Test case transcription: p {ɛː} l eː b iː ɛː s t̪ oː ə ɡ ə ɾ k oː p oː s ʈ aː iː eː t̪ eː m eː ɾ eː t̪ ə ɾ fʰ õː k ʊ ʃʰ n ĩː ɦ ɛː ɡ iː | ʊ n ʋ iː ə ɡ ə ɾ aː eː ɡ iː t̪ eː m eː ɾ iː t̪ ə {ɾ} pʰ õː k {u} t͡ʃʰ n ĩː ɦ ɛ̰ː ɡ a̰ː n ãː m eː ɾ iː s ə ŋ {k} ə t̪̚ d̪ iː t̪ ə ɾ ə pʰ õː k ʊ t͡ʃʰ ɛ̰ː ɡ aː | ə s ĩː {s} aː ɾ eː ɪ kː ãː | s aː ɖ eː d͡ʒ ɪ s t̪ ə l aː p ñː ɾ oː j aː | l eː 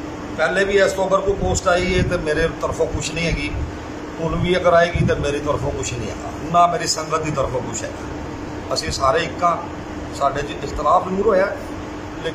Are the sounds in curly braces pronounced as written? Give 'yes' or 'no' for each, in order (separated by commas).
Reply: yes, yes, no, no, yes